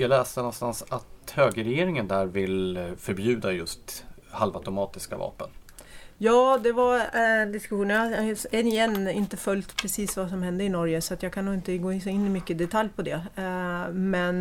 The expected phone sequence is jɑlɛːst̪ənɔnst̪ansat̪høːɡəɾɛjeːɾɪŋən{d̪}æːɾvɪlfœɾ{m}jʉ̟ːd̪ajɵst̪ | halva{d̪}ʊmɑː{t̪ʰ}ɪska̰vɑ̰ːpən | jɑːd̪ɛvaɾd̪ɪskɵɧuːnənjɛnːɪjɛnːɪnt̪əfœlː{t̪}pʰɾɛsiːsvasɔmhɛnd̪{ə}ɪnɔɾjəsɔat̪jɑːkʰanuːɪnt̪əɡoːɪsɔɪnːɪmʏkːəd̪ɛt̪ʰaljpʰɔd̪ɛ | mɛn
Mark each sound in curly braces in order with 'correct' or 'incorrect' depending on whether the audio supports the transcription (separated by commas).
correct, incorrect, incorrect, incorrect, correct, correct